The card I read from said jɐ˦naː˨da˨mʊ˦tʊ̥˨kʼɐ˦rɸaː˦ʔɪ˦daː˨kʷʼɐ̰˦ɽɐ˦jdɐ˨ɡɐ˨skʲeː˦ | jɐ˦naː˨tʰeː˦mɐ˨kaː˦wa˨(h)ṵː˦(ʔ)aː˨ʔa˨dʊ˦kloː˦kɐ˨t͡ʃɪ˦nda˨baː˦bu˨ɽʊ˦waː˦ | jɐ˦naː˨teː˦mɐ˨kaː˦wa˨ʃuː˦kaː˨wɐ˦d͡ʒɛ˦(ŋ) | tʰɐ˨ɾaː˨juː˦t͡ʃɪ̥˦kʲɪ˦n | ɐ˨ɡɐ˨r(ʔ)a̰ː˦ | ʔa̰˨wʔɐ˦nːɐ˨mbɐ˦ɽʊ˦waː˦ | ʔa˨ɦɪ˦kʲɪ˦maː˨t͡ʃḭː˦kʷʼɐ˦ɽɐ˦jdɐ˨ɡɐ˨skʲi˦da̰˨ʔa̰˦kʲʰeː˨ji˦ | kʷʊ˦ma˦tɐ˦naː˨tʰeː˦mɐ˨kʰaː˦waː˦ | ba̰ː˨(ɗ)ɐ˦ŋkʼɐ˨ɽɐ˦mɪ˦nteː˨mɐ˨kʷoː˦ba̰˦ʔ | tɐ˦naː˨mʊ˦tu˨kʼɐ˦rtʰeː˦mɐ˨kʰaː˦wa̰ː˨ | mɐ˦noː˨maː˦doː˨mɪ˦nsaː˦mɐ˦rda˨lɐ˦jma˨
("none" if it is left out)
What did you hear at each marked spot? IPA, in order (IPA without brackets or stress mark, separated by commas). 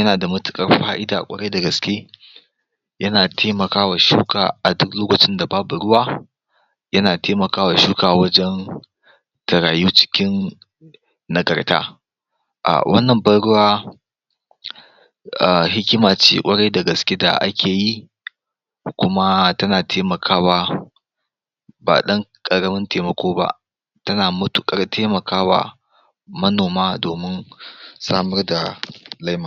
ʃ, k, n, t, ɗ